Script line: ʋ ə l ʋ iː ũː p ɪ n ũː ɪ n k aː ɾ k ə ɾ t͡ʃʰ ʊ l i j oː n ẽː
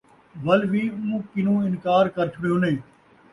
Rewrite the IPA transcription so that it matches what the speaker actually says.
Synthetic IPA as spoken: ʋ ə l ʋ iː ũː k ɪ n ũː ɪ n k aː ɾ k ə ɾ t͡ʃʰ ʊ ɽ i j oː n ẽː